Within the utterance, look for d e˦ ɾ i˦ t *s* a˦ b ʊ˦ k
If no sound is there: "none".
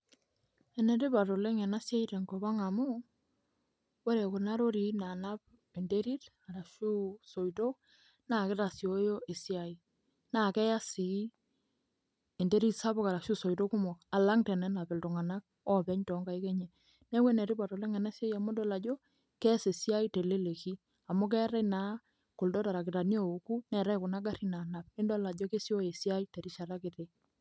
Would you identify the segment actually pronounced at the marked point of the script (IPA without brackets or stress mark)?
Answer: s